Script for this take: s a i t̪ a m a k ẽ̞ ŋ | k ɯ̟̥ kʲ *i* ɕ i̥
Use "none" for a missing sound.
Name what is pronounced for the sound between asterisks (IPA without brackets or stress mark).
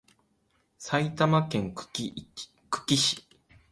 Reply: i